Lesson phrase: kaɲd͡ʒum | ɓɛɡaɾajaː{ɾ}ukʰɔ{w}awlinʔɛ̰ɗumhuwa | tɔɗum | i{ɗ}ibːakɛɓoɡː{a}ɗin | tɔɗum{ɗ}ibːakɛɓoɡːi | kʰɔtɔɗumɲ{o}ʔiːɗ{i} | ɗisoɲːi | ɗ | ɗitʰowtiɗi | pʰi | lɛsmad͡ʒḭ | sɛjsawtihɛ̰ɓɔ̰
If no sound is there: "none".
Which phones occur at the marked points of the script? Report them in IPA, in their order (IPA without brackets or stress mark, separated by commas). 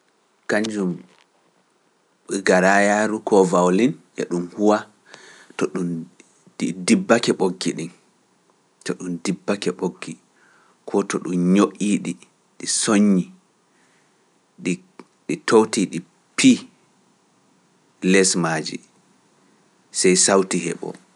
ɾ, v, d, i, d, o, i